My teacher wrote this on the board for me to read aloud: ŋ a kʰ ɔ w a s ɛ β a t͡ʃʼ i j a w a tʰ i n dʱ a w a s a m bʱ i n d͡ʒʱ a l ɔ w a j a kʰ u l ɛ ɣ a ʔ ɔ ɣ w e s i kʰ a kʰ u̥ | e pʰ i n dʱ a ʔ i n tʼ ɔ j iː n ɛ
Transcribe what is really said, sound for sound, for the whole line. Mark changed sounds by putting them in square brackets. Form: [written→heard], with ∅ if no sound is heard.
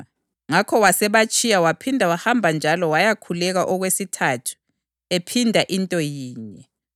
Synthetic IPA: ŋ a kʰ ɔ w a s ɛ β a t͡ʃʼ i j a w a [tʰ→pʰ] i n dʱ a w a [s→h] a m bʱ [i→a] n d͡ʒʱ a l ɔ w a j a kʰ u l ɛ ɣ a ʔ ɔ ɣ w e s i [kʰ→tʰ] a [kʰ→tʰ] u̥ | e pʰ i n dʱ a ʔ i n tʼ ɔ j iː [n→ɲ] ɛ